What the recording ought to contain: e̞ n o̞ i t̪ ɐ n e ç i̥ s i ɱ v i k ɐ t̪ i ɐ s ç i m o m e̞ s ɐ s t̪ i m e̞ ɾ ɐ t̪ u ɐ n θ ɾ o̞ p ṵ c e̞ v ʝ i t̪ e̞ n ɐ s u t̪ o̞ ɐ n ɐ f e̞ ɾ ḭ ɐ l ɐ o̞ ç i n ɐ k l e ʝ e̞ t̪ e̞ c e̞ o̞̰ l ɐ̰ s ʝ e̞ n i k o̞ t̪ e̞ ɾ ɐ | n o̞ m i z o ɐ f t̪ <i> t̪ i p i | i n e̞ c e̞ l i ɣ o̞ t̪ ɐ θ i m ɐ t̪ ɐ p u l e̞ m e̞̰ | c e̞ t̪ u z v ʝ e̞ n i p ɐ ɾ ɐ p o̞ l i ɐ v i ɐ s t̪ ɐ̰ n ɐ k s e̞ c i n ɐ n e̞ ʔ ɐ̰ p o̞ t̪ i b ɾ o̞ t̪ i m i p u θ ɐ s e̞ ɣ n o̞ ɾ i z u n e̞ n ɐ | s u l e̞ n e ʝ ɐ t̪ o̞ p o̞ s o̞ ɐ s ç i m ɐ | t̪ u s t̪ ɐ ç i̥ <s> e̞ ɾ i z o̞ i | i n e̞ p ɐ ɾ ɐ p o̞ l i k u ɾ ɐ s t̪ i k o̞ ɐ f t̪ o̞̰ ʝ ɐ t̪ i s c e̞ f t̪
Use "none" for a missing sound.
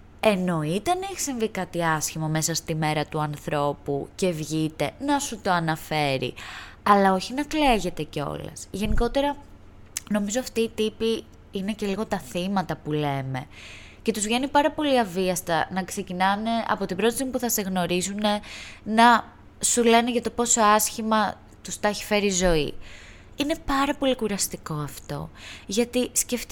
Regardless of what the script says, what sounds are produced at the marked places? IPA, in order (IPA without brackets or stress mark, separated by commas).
iː, f